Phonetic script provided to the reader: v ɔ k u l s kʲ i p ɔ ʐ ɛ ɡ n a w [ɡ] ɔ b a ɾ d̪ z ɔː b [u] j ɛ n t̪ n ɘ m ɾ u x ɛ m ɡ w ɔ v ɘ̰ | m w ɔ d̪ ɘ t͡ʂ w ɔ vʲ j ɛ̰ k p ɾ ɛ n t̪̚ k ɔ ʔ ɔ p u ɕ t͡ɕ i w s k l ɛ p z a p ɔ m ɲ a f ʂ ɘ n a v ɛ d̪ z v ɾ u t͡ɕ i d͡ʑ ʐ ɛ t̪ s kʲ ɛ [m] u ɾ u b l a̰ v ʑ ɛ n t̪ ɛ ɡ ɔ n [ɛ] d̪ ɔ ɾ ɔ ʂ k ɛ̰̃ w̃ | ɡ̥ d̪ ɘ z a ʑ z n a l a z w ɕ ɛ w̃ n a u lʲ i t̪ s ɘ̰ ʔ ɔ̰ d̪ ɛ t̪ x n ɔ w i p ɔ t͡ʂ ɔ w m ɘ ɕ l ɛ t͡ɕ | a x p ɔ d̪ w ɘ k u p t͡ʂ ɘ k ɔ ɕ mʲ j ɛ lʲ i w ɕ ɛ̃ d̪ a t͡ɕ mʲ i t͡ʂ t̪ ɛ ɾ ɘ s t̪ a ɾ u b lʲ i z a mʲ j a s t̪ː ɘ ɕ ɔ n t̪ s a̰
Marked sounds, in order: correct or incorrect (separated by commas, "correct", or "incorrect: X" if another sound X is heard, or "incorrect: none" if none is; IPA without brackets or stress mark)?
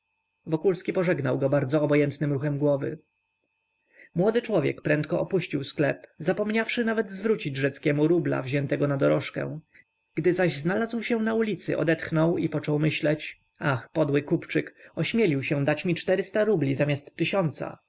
correct, incorrect: ɔ, correct, incorrect: a